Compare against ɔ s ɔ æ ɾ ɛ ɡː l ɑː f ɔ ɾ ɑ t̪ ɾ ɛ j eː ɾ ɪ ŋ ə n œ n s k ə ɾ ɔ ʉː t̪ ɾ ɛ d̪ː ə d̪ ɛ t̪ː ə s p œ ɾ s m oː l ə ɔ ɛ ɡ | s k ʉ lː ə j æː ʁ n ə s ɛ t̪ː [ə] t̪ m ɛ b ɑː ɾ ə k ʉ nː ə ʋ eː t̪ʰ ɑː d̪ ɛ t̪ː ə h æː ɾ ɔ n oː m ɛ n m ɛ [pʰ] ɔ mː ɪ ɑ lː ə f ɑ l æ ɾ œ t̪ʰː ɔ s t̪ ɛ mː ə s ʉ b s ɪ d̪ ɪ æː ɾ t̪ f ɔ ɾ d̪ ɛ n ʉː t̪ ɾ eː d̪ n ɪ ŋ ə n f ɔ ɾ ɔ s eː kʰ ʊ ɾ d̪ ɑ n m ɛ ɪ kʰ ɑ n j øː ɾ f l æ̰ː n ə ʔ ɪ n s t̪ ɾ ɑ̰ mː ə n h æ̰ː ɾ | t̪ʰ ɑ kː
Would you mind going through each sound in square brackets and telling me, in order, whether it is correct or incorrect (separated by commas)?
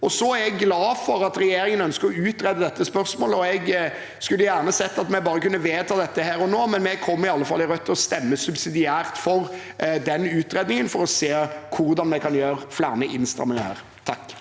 incorrect, incorrect